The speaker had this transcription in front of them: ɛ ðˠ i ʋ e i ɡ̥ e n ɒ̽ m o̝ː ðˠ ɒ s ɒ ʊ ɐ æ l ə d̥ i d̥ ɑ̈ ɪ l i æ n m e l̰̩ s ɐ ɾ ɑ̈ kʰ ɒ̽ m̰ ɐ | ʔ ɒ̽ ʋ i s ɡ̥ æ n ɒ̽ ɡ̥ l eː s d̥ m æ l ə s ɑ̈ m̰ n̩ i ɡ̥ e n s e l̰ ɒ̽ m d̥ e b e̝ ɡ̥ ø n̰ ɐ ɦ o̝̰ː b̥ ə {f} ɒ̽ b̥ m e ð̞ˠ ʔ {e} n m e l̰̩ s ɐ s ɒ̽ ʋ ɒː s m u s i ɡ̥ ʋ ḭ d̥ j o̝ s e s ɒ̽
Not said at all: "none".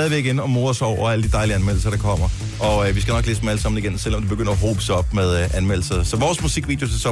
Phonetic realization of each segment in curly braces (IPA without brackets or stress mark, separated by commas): s, æ